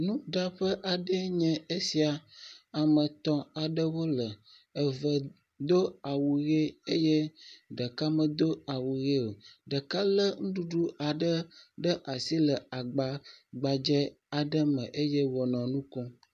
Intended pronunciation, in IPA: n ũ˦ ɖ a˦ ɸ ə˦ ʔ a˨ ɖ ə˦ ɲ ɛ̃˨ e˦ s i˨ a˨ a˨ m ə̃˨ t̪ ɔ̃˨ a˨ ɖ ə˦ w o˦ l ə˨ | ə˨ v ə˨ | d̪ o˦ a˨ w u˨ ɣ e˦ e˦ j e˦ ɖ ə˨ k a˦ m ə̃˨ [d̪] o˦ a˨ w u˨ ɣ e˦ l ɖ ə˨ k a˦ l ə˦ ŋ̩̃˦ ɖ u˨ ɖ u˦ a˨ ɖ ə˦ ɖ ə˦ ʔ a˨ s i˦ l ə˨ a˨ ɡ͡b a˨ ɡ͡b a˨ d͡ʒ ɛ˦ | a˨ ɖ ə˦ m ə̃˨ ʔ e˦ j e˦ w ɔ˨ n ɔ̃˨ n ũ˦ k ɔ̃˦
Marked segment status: correct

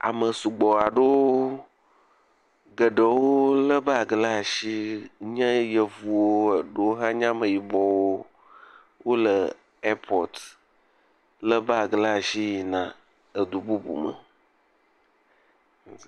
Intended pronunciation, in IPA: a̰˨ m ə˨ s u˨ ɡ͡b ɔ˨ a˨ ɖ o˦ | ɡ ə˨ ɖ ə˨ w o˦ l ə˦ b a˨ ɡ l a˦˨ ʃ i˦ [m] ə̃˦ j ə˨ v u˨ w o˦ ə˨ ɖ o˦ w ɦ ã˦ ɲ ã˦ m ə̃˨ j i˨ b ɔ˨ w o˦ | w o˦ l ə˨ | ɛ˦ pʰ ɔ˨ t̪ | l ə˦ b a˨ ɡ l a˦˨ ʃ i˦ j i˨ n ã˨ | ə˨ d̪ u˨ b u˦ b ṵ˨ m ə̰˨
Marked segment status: incorrect: ɲ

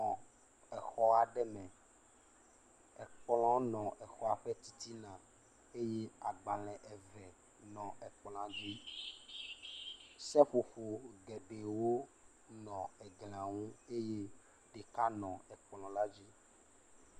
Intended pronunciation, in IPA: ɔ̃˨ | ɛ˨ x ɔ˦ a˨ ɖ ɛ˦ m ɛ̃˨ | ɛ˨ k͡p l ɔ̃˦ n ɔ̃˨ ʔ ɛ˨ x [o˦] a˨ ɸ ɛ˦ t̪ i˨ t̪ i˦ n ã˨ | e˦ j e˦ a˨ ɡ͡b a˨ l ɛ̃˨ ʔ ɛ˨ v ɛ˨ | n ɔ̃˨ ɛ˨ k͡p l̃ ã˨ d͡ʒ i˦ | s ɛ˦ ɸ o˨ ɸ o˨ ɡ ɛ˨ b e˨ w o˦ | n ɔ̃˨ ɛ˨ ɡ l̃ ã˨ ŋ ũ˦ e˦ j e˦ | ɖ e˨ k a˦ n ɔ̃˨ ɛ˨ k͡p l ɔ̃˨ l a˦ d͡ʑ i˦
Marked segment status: incorrect: ɔ˦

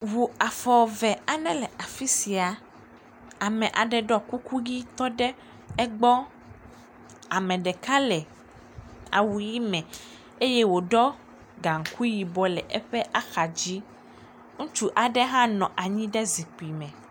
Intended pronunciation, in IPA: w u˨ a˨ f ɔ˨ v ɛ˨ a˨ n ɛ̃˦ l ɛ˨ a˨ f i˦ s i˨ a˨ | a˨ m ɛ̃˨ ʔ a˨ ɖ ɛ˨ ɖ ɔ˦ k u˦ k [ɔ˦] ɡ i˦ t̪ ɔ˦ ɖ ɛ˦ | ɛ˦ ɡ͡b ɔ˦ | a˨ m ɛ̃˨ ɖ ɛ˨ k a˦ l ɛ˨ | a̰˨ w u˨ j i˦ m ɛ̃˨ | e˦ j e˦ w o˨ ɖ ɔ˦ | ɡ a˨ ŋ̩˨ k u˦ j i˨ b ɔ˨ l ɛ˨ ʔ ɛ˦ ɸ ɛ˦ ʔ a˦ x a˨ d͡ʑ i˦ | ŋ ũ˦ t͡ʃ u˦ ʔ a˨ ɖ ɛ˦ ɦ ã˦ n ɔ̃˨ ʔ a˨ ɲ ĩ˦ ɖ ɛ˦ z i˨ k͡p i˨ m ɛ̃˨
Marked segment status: incorrect: u˦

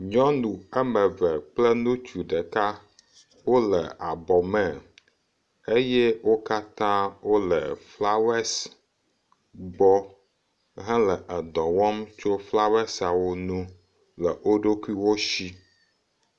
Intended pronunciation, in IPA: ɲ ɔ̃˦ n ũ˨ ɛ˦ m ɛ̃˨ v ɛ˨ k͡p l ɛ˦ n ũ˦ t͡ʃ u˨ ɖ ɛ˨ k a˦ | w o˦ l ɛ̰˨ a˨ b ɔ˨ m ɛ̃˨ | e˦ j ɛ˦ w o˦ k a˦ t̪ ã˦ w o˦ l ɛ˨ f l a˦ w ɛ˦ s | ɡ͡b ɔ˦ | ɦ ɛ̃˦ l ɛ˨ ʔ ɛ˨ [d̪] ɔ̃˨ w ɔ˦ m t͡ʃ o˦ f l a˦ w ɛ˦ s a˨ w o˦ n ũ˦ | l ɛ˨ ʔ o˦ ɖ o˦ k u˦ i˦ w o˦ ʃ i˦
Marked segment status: correct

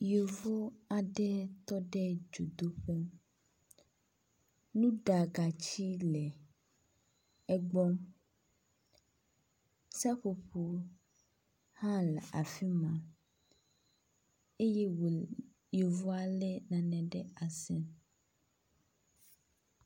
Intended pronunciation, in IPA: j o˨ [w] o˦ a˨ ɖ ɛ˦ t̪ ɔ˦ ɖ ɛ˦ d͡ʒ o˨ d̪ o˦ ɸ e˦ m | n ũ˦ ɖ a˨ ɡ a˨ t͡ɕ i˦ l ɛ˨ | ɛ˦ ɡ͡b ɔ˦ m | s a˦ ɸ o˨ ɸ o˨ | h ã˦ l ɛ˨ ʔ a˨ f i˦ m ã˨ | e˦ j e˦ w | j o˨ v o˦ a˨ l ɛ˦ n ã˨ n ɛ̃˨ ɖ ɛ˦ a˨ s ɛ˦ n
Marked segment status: incorrect: v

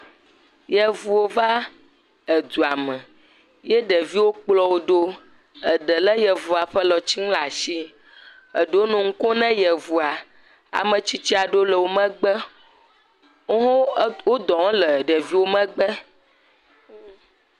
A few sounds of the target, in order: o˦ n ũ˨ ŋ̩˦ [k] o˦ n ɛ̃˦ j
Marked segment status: correct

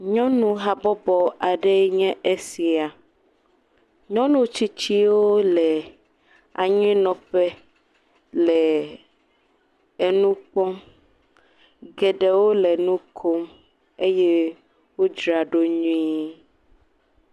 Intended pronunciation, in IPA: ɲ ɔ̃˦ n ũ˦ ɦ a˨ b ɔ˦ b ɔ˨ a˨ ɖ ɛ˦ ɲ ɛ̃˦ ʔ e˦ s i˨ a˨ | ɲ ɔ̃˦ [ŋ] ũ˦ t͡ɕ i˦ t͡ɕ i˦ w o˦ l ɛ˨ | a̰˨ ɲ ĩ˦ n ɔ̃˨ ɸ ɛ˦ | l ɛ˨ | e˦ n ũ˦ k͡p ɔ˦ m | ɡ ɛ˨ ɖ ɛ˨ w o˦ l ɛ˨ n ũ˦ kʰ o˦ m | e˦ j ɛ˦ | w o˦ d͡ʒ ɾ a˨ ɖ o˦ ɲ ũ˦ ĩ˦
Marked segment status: incorrect: n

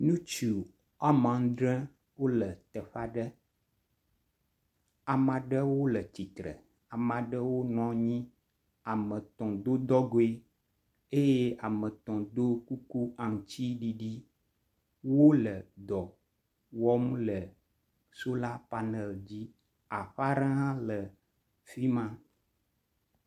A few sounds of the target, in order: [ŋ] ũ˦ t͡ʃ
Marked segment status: incorrect: n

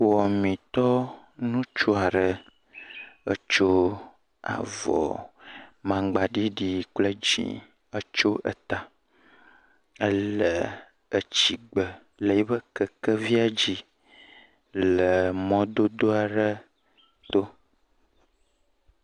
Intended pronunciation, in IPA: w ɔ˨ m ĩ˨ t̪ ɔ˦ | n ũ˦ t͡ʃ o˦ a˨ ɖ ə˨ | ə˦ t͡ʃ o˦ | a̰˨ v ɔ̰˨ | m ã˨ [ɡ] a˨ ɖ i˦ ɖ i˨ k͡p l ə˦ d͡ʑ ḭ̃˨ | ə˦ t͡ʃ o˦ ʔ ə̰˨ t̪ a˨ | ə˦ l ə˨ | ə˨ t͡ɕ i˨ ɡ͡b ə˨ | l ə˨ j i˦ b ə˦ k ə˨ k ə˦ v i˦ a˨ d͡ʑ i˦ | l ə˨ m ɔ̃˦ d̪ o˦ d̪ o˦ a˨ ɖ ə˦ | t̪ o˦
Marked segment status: incorrect: ɡ͡b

